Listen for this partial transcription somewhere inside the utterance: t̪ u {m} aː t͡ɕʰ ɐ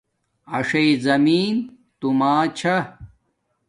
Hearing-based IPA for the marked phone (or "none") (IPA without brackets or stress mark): m